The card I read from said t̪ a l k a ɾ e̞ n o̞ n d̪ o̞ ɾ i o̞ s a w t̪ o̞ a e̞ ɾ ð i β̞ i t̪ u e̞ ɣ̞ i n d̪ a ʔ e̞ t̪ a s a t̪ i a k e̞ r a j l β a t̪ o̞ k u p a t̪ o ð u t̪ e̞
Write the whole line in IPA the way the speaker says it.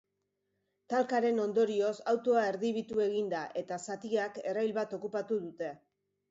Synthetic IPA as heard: t̪ a l k a ɾ e̞ n o̞ n d̪ o̞ ɾ i o̞ s a w t̪ o̞ a e̞ ɾ ð i β̞ i t̪ u e̞ ɣ̞ i n d̪ a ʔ e̞ t̪ a s a t̪ i a k e̞ r a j l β a t̪ o̞ k u p a t̪ u ð u t̪ e̞